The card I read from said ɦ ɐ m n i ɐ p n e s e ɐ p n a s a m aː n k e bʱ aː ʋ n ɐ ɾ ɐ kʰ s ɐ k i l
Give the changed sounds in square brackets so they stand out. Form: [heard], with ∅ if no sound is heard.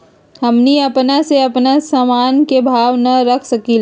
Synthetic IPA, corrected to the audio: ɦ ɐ m n i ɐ p n [a] s e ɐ p n a s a m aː n k e bʱ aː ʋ n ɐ ɾ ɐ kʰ s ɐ k i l

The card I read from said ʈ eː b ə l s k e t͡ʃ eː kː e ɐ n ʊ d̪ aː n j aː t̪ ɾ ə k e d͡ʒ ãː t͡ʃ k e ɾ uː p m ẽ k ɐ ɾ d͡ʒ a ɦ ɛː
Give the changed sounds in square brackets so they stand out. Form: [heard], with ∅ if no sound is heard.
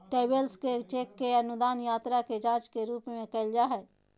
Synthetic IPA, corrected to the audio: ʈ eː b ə l s k e t͡ʃ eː kː e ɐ n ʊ d̪ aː n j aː t̪ ɾ [a] k e d͡ʒ ãː t͡ʃ k e ɾ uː p m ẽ k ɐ [l] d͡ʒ a ɦ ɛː

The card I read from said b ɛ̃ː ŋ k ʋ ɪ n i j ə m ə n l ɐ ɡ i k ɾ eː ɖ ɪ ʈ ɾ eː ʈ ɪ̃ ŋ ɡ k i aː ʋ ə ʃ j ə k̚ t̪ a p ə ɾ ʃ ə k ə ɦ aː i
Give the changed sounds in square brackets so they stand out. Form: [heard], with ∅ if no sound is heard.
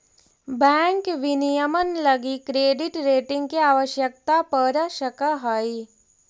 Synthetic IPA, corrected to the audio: b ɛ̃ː ŋ k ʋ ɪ n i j ə m ə n l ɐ ɡ i k ɾ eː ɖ ɪ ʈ ɾ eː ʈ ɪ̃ ŋ ɡ k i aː ʋ ə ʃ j ə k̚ t̪ a p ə ɾ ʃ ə k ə ɦ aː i

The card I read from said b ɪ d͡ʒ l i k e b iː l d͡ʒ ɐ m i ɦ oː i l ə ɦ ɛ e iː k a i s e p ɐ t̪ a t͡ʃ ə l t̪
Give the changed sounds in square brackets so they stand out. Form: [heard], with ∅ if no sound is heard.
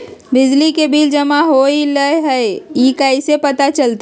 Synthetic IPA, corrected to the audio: b ɪ d͡ʒ l i k e b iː l d͡ʒ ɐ m [a] ɦ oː i l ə ɦ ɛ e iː k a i s e p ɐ t̪ a t͡ʃ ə l t̪

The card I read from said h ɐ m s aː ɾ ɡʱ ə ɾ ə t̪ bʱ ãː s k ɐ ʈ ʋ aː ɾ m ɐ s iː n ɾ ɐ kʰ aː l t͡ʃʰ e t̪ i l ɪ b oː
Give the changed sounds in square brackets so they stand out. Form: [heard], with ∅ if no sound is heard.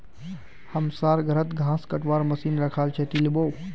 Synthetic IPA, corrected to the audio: h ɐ m s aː ɾ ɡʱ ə ɾ ə t̪ [ɡʱ] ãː s k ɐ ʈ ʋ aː ɾ m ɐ s iː n ɾ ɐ kʰ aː l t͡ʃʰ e t̪ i l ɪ b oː

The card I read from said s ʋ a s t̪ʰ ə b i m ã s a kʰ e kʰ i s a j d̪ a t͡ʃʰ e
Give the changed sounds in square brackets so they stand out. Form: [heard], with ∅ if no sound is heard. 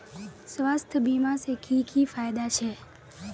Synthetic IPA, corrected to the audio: s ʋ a s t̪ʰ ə b i m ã s [e] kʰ [i] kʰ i [f] a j d̪ a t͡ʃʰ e

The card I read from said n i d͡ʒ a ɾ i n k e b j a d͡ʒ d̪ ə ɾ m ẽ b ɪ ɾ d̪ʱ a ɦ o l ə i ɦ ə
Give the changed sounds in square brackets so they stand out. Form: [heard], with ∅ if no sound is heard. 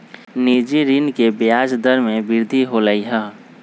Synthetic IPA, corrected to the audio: n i d͡ʒ [i] ɾ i n k e b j a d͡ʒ d̪ ə ɾ m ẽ b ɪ ɾ d̪ʱ [i] ɦ o l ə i ɦ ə

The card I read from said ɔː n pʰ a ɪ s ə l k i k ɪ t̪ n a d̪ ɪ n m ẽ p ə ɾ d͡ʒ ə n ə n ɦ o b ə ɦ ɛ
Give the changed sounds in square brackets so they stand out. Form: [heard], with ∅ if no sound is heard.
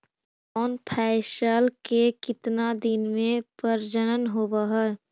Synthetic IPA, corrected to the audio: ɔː n pʰ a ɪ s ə l k [e] k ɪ t̪ n a d̪ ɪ n m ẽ p ə ɾ d͡ʒ ə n ə n ɦ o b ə ɦ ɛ

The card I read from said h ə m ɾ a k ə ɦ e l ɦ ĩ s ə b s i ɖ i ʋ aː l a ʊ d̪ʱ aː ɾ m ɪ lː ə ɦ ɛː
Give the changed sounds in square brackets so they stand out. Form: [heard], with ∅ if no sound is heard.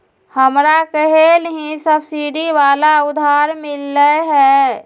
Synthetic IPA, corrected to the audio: h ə m ɾ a k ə ɦ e l ɦ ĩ s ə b s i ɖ i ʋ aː l a ʊ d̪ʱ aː ɾ m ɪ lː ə ɦ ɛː

